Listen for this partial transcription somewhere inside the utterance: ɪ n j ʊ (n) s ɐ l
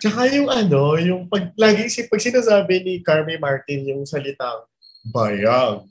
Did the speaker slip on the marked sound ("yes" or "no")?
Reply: yes